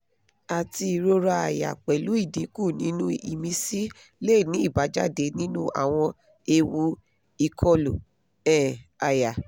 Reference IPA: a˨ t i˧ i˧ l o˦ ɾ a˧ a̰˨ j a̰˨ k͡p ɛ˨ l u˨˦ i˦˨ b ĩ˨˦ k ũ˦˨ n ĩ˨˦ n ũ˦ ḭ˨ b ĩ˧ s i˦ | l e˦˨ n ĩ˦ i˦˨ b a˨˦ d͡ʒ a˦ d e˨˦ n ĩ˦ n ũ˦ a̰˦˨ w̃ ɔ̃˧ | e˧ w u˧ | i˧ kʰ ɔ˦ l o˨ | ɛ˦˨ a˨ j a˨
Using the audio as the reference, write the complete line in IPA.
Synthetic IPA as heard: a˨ t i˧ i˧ ɾ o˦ ɾ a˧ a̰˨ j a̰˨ k͡p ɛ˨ l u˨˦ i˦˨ d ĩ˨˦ k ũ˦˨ n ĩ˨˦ n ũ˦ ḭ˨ m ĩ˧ s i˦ | l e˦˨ n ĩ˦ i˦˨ b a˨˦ d͡ʒ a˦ d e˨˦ n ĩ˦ n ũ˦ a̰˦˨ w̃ ɔ̃˧ | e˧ w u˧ | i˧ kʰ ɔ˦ l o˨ | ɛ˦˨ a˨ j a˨